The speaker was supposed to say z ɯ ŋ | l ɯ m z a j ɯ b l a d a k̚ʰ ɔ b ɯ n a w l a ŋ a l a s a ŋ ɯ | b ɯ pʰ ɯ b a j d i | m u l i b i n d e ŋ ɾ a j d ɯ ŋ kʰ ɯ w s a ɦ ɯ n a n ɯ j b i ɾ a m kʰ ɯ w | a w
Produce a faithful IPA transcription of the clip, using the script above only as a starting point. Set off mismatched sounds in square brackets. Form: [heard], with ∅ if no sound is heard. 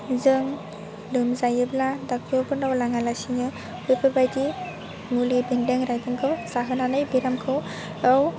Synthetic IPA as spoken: z ɯ ŋ | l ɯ m z a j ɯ b l a d a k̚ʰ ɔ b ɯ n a w l a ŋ a l a s [i] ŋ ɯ | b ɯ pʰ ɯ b a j d i | m u l i b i n d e ŋ ɾ a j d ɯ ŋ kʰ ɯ w s a ɦ ɯ n a n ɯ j b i ɾ a m kʰ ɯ w | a w